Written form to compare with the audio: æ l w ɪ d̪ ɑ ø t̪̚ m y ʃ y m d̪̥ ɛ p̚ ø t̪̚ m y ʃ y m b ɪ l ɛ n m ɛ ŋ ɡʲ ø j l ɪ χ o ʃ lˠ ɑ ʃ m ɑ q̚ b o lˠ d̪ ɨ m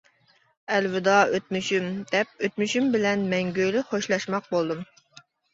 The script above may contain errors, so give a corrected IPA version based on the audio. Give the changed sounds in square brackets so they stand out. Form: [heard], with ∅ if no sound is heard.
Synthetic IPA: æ l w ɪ d̪ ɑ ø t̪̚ m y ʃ y m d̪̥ ɛ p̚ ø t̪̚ m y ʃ y m b ɪ l ɛ n m ɛ ŋ ɡʲ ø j l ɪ χ o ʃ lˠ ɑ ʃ m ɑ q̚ b o lˠ d̪ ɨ m